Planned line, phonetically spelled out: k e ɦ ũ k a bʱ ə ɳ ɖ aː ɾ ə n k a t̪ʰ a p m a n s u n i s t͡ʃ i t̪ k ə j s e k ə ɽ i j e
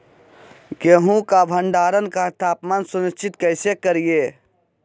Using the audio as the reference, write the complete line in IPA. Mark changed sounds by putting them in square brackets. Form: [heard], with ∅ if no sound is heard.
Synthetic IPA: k e ɦ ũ k a bʱ ə ɳ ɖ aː ɾ ə n k a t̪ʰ a p m a n s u n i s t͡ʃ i t̪ k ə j s e k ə [ɾ] i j e